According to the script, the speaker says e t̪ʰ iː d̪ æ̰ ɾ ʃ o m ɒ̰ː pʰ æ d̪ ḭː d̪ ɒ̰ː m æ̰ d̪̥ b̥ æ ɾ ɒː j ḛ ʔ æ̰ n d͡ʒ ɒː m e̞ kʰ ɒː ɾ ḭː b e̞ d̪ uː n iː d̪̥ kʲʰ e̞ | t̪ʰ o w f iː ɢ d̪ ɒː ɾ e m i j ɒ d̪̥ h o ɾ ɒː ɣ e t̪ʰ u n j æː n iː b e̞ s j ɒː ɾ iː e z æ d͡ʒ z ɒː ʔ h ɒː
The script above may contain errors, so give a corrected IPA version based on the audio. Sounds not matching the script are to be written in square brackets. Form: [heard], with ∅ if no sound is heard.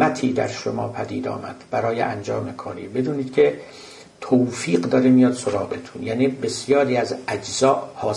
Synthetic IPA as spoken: [æ] t̪ʰ iː d̪ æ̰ ɾ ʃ o m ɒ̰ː pʰ æ d̪ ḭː d̪ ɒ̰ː m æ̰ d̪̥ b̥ æ ɾ ɒː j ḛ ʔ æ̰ n d͡ʒ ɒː m e̞ kʰ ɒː ɾ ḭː b e̞ d̪ uː n iː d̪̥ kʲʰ e̞ | t̪ʰ o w f iː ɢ d̪ ɒː ɾ e m i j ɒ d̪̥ [s] o ɾ ɒː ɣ e t̪ʰ u n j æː n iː b e̞ s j ɒː ɾ iː [æ] z æ d͡ʒ z ɒː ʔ h ɒː